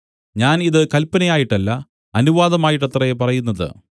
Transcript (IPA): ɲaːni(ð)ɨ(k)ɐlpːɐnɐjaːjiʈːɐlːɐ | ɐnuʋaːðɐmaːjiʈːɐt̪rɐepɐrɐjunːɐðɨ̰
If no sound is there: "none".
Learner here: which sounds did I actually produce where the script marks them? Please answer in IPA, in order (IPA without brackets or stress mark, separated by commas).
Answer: ð, k